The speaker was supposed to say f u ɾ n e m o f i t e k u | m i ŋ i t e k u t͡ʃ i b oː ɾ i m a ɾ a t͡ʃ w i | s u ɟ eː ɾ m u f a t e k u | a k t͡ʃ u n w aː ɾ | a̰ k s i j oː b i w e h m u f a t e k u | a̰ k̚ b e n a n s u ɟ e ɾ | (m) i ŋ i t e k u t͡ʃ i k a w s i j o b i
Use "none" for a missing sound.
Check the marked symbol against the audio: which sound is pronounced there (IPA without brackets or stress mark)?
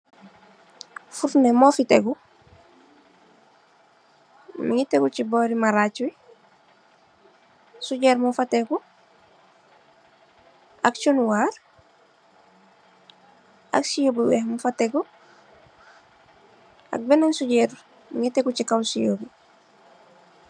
m